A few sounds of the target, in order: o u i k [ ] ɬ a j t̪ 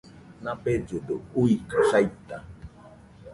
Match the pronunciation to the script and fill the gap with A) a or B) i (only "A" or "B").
A